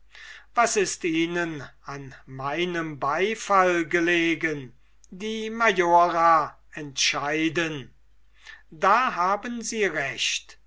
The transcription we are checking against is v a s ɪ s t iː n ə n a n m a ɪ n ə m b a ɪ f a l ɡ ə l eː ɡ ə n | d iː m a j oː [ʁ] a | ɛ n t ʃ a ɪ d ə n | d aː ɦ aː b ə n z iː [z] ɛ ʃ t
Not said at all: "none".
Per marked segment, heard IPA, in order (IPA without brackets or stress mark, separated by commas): ʁ, ʁ